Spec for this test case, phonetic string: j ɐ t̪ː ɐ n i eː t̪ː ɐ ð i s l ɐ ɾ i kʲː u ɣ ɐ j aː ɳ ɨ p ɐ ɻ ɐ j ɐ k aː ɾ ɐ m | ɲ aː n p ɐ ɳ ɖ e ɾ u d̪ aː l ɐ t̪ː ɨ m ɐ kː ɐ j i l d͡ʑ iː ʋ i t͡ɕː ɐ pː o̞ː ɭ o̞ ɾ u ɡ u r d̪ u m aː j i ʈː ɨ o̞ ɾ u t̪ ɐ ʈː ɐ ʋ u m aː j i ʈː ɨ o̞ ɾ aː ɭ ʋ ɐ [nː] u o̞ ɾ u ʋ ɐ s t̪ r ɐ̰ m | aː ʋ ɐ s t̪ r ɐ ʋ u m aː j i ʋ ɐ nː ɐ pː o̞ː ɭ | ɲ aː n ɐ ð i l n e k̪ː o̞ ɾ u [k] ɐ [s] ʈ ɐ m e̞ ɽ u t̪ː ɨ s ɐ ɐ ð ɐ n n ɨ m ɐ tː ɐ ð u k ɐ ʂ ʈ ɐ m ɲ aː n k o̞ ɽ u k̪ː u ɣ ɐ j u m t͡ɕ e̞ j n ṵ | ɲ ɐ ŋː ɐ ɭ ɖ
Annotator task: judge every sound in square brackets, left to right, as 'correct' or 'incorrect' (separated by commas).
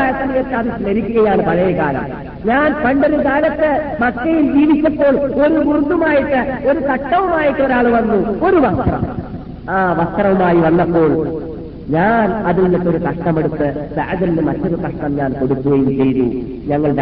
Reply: correct, correct, incorrect